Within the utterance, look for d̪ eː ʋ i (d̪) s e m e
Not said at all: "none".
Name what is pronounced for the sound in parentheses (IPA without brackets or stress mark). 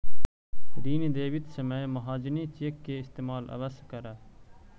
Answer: t̪